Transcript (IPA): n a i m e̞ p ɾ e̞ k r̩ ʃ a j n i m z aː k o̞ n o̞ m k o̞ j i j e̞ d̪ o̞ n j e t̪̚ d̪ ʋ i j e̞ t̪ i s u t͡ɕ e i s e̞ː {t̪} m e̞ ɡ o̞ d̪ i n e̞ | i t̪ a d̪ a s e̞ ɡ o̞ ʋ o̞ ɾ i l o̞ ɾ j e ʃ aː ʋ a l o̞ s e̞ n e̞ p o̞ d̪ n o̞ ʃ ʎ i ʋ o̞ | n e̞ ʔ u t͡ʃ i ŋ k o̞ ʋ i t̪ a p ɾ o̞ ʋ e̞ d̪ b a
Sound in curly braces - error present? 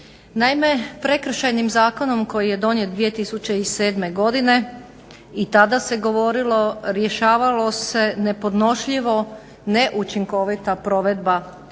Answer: yes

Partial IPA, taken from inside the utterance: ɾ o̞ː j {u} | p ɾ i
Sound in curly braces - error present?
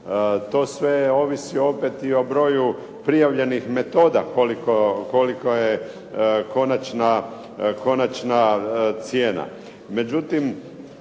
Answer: no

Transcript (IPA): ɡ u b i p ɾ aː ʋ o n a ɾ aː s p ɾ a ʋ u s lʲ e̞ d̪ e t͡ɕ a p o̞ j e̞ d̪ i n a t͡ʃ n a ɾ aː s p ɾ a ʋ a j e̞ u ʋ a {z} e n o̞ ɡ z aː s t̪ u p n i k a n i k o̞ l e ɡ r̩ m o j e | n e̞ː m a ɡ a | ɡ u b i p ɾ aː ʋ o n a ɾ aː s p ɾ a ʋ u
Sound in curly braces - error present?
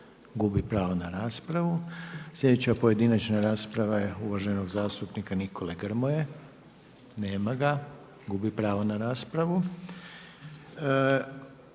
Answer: yes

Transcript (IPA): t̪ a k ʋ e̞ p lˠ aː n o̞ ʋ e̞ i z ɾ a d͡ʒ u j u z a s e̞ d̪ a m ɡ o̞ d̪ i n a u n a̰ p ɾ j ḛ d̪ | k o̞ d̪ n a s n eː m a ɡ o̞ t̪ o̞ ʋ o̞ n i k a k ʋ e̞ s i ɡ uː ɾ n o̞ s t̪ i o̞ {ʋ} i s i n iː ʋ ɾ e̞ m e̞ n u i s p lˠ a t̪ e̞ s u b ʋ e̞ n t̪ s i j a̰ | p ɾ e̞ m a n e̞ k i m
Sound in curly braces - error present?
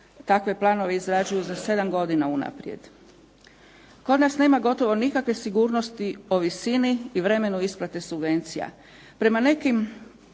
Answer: no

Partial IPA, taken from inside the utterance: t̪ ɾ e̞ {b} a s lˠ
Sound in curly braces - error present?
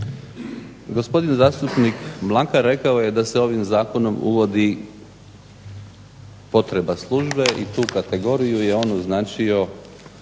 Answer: no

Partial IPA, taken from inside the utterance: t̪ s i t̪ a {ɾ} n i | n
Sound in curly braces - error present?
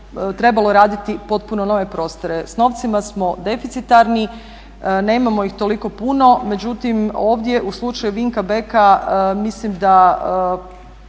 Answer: no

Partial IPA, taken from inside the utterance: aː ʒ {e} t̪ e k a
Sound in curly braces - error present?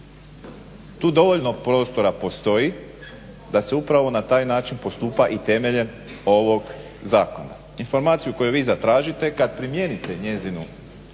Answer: yes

